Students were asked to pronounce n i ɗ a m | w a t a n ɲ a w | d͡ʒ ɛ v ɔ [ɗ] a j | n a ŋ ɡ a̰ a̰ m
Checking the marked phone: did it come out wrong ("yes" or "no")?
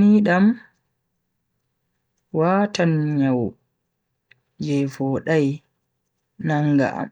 no